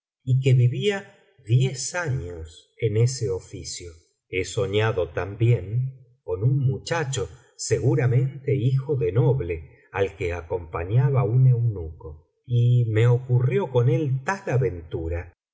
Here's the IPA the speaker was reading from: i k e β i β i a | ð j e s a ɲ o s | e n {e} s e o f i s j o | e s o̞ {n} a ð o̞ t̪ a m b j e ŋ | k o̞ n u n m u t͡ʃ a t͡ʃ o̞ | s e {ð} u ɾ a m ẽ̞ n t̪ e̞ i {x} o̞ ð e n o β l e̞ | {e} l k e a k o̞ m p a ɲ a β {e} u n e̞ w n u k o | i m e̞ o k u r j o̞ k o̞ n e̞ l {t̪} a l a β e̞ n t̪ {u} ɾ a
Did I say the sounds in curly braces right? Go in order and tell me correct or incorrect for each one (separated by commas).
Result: correct, incorrect, incorrect, correct, incorrect, incorrect, correct, correct